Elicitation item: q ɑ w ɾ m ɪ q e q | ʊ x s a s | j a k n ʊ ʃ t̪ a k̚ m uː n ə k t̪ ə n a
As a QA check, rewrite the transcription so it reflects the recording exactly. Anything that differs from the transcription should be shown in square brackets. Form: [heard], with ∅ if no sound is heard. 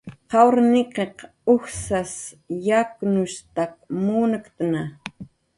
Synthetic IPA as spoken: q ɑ w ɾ [n] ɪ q e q | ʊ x s a s | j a k n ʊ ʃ t̪ a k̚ m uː n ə k t̪ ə n a